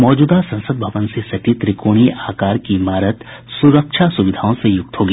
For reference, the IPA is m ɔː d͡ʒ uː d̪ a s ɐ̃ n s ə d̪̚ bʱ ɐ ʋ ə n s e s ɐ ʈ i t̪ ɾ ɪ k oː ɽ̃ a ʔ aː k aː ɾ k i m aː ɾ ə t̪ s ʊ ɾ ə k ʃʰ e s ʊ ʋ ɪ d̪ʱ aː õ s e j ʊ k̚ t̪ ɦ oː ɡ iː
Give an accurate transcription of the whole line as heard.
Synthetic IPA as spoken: m ɔː d͡ʒ uː d̪ a s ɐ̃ n s ə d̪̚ bʱ ɐ ʋ ə n s e s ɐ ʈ i t̪ ɾ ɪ k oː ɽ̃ i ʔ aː k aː ɾ k i m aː ɾ ə t̪ s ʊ ɾ ə k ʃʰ a s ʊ ʋ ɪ d̪ʱ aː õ s e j ʊ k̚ t̪ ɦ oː ɡ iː